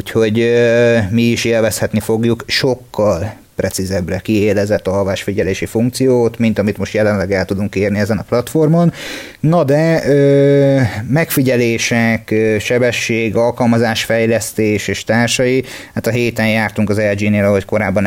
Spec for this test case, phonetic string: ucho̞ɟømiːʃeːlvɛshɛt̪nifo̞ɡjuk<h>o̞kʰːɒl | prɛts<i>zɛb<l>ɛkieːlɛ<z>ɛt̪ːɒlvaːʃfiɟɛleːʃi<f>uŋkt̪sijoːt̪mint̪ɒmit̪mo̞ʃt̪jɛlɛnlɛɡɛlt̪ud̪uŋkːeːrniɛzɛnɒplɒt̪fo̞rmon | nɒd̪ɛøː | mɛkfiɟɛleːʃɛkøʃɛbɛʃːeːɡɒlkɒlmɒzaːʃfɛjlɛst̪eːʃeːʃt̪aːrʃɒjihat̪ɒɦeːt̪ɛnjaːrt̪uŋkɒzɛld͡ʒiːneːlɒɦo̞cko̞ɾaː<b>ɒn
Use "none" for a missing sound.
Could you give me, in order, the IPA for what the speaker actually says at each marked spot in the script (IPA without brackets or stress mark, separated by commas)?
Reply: ʃ, i, r, z, f, bː